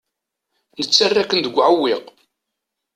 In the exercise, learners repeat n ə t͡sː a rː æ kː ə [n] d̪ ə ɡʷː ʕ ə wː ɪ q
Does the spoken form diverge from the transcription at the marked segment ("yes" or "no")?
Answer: no